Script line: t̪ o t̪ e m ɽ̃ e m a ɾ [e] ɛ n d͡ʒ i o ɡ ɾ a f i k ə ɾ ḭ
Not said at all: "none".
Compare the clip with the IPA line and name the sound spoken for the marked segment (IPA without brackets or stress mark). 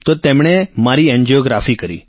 i